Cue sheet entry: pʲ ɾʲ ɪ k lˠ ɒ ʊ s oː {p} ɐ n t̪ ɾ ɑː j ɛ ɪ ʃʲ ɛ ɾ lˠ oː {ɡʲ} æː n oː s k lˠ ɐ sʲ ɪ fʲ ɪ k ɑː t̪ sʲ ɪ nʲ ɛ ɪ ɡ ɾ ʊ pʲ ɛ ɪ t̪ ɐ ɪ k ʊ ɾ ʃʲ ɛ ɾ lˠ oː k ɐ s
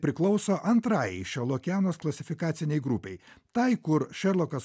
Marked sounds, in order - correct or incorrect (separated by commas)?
incorrect, incorrect